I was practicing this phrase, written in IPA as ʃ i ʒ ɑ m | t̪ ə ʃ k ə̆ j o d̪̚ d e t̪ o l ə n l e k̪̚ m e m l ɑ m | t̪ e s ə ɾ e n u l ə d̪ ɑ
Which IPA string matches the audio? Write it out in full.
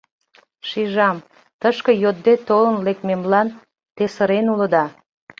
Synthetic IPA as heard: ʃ i ʒ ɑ m | t̪ ə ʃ k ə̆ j o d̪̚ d e t̪ o l ə n l e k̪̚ m e m l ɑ n | t̪ e s ə ɾ e n u l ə d̪ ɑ